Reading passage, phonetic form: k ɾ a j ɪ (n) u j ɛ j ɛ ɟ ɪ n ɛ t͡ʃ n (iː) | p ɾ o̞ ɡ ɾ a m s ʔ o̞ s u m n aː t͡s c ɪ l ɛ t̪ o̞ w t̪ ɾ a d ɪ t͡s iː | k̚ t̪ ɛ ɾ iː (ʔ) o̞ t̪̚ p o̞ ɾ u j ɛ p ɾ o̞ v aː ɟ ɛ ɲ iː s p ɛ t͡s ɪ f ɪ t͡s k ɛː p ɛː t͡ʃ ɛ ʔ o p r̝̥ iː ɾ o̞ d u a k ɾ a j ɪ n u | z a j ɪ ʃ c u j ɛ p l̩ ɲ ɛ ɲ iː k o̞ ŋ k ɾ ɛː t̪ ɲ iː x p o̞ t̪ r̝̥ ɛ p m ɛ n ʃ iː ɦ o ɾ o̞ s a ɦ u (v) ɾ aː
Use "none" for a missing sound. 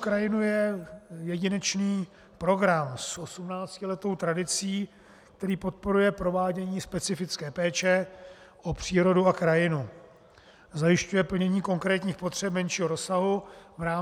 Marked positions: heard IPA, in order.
n, iː, p, v

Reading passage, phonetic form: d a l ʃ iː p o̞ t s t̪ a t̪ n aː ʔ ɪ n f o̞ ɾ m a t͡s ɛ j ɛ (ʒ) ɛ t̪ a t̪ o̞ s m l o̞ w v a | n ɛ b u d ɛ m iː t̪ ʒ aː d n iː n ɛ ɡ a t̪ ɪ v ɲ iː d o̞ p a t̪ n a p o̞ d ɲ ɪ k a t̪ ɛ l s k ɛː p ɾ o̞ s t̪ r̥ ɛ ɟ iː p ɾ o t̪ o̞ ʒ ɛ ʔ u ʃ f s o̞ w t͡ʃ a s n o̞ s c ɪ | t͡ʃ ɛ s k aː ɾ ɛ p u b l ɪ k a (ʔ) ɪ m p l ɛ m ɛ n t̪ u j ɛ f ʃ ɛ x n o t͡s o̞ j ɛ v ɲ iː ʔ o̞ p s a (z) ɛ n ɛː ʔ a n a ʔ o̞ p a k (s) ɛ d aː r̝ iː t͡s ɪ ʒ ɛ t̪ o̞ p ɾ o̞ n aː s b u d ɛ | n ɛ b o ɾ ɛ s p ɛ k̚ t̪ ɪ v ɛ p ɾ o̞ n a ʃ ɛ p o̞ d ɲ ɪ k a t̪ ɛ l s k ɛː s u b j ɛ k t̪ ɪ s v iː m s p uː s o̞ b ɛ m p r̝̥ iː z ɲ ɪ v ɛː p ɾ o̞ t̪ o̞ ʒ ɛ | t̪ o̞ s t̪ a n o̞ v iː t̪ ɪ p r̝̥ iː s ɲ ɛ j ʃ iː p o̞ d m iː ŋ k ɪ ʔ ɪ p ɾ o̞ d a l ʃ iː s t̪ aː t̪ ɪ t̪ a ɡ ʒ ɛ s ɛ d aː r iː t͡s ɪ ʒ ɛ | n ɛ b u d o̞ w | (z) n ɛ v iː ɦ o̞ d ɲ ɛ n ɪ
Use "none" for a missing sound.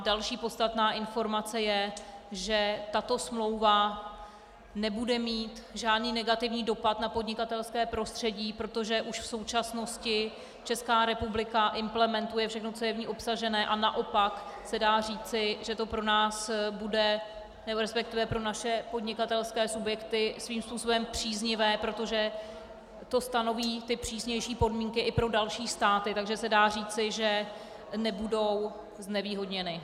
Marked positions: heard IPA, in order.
ʒ, ʔ, ʒ, s, z

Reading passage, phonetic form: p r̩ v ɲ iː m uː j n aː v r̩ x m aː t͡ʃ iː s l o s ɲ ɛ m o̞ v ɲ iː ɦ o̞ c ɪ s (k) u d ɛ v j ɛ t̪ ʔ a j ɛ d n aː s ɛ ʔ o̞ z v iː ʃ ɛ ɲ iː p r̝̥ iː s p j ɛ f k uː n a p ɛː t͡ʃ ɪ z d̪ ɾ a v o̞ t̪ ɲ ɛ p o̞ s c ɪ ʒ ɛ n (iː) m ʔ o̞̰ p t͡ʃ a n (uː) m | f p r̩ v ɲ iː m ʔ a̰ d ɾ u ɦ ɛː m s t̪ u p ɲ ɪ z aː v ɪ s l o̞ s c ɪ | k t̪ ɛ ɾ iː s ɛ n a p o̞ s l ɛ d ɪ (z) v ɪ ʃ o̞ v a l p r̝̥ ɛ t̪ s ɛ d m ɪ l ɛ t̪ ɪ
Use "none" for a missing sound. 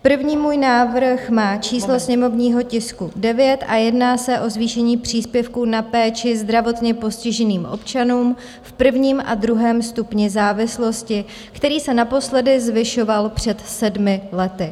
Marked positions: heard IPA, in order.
k, iː, uː, z

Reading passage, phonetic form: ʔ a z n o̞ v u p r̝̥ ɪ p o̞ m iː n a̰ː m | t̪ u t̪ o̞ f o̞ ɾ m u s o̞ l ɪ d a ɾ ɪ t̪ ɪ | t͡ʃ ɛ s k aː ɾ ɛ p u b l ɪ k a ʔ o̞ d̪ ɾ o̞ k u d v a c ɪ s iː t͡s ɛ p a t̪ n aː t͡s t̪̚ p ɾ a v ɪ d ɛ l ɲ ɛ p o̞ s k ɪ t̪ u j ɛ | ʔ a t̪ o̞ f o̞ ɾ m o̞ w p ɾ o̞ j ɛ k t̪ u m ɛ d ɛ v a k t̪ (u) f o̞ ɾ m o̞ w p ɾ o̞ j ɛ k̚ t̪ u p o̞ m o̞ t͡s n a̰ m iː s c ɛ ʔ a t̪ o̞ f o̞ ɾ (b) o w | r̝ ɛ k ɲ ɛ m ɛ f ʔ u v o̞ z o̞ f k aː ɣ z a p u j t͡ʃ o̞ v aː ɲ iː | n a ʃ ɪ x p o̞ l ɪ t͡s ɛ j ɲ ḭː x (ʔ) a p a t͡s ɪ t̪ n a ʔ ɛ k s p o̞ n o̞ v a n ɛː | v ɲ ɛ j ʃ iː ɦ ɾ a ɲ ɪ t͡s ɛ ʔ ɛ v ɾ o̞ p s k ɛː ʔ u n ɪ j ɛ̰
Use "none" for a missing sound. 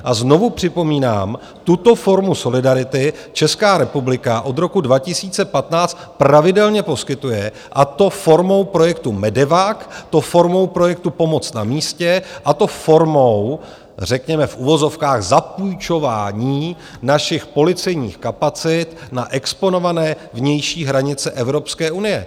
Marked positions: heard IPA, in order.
o, m, k

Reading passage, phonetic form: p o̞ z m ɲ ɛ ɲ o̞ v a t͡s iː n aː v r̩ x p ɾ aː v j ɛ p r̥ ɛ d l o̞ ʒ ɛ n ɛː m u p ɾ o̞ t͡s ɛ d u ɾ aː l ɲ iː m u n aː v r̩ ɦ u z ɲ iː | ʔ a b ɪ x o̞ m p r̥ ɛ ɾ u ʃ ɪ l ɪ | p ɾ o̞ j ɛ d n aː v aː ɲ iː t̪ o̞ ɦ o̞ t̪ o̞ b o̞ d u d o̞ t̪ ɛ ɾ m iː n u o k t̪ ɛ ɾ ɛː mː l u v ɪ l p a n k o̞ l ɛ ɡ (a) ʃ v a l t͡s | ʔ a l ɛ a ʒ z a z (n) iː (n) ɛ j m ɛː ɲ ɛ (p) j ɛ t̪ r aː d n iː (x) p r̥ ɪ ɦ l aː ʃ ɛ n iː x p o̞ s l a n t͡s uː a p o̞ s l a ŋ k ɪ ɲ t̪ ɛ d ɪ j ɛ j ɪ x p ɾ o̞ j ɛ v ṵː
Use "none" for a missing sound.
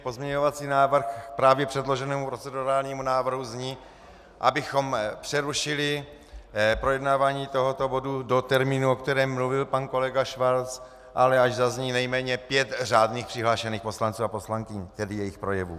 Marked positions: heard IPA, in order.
a, ɲ, n, p, x

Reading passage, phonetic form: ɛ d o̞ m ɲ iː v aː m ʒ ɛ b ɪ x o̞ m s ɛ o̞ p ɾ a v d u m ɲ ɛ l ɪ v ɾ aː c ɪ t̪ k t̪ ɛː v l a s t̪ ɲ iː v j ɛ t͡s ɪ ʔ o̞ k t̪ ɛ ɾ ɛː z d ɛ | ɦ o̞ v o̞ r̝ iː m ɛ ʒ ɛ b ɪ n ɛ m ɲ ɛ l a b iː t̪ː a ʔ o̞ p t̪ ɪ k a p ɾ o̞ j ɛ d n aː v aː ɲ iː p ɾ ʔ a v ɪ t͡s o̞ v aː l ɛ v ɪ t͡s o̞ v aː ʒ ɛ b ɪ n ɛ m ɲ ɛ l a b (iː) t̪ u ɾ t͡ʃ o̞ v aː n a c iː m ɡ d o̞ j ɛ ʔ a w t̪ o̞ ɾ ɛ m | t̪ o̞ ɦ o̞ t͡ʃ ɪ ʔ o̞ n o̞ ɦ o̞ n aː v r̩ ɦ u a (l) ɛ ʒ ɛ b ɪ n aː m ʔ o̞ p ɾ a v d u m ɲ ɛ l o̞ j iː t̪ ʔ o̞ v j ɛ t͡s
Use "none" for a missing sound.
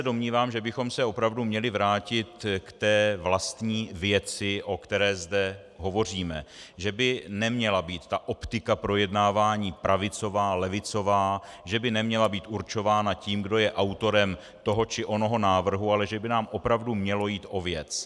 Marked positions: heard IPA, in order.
iː, l

